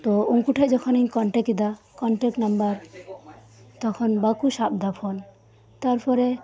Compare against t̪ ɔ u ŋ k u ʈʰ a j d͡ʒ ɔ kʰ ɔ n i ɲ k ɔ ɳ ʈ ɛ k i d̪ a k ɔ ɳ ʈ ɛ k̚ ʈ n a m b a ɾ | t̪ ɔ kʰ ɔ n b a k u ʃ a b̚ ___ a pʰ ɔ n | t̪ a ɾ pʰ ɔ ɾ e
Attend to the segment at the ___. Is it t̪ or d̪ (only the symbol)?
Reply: d̪